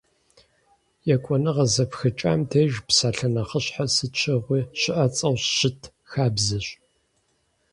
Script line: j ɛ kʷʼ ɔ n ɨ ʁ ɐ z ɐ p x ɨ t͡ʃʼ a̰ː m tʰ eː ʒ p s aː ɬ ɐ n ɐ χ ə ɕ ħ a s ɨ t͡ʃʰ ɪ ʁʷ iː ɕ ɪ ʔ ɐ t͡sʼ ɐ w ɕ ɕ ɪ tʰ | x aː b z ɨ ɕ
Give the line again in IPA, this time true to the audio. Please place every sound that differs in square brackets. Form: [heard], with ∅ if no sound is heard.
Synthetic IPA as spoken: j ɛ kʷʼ ɔ n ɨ ʁ ɐ z ɐ p x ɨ t͡ʃʼ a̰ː m tʰ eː ʒ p s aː ɬ ɐ n ɐ χ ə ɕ ħ a s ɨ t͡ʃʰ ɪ ʁʷ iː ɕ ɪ ʔ ɐ t͡sʼ ɐ w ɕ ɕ ɪ tʰ | x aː b z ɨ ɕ

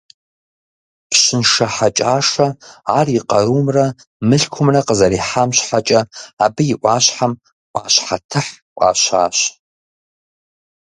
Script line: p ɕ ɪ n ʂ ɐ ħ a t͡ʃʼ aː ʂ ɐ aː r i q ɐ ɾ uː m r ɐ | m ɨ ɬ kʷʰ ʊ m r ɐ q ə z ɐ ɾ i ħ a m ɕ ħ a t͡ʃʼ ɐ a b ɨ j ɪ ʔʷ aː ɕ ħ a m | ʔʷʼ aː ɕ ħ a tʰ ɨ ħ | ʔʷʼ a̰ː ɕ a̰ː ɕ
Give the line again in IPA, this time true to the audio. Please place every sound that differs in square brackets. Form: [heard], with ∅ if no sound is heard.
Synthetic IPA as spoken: p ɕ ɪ n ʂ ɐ ħ a t͡ʃʼ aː ʂ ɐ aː r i q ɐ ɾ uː m r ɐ | m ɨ ɬ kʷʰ ʊ m r ɐ q ə z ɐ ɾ i ħ a m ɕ ħ a t͡ʃʼ ɐ a b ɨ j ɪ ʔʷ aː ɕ ħ a m | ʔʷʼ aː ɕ ħ a tʰ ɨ ħ | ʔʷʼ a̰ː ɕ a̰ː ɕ

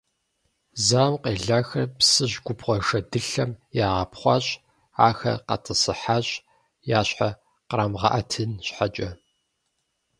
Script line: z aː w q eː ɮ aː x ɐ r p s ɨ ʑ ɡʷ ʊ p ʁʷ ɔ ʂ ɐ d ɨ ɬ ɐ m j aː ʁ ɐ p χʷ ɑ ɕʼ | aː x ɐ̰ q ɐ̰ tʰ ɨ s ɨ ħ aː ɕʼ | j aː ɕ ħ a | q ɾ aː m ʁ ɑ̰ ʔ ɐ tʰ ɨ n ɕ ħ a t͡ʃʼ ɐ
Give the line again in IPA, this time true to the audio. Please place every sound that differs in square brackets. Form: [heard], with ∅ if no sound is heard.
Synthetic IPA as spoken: z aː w q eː ɮ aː x ɐ r p s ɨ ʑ ɡʷ ʊ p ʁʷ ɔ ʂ ɐ d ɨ ɬ ɐ m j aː ʁ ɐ p χʷ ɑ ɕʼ | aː x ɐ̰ q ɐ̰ tʰ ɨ s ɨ ħ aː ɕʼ | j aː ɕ ħ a | q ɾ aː m ʁ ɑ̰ ʔ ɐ tʰ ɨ n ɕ ħ a t͡ʃʼ ɐ

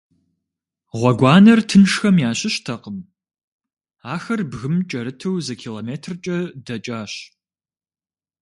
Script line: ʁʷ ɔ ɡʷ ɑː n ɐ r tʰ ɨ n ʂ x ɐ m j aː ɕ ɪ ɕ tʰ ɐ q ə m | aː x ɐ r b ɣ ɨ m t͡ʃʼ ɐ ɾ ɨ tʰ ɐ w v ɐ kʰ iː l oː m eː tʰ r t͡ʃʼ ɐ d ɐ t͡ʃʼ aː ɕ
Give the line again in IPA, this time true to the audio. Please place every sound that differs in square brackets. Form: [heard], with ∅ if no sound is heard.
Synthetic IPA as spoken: ʁʷ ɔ ɡʷ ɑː n ɐ r tʰ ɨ n ʂ x ɐ m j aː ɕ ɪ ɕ tʰ ɐ q ə m | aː x ɐ r b ɣ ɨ m t͡ʃʼ ɐ ɾ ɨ tʰ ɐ w [z] ɐ kʰ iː l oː m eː tʰ r t͡ʃʼ ɐ d ɐ t͡ʃʼ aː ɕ

